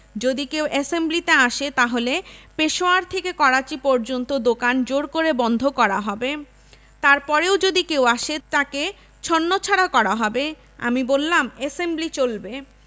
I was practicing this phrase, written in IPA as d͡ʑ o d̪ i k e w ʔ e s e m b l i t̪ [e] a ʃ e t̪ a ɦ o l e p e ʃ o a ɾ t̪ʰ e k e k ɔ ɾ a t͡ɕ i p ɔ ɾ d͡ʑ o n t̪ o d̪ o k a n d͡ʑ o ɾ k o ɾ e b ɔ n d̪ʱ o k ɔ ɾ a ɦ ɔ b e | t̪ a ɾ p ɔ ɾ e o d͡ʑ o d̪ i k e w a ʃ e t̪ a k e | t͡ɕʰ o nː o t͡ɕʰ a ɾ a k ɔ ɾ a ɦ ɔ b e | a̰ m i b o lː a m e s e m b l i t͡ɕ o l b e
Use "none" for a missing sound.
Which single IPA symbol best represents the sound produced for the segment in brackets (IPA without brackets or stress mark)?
e